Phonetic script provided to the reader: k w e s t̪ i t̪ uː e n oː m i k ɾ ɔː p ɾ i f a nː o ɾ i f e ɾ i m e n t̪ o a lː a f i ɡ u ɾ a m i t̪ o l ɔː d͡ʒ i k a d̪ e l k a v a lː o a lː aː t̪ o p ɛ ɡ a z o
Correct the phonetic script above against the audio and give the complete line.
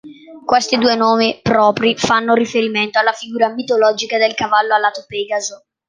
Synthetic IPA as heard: k w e s t̪ i d̪ uː e n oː m i p ɾ ɔː p ɾ i f a nː o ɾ i f e ɾ i m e n t̪ o a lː a f i ɡ uː ɾ a m i t̪ o l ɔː d͡ʒ i k a d̪ e l k a v a lː o a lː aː t̪ o p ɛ ɡ a z o